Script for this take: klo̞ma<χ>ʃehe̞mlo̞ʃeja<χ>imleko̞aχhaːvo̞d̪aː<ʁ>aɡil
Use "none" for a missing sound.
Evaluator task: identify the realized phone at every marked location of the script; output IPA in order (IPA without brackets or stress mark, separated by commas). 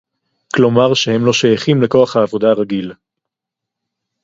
ʁ, χ, ʁ